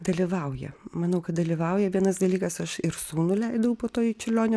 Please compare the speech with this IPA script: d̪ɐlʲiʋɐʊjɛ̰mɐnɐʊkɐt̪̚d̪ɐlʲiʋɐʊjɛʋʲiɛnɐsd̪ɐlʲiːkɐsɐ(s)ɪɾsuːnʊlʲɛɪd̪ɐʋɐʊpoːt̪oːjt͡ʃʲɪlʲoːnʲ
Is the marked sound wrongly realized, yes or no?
yes